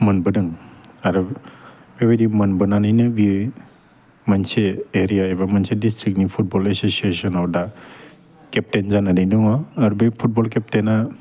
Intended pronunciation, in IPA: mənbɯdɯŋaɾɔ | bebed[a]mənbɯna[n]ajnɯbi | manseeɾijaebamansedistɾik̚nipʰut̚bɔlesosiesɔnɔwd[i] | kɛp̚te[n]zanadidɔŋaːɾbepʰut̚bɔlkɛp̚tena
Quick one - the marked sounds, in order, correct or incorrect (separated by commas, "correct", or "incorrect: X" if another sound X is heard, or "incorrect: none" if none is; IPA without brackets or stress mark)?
incorrect: i, correct, incorrect: a, correct